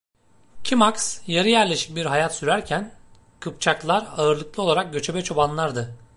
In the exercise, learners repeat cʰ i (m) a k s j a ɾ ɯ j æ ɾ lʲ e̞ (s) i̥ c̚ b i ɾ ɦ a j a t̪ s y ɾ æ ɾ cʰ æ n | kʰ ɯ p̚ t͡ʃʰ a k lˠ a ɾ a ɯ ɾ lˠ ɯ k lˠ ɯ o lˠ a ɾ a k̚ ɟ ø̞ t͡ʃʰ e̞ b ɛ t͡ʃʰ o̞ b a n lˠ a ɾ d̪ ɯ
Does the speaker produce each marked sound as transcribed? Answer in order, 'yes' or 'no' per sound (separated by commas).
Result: yes, no